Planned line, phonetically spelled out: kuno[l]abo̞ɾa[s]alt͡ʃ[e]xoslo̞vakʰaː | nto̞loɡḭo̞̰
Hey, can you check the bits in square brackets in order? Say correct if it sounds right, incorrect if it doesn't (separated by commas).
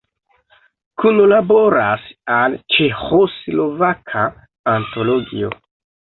correct, correct, correct